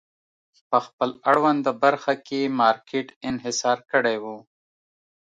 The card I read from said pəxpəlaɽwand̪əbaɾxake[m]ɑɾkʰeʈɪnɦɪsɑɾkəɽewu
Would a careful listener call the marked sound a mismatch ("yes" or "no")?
no